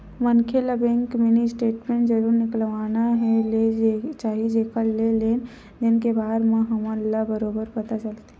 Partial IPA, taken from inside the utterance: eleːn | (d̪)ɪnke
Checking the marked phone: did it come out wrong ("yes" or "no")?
no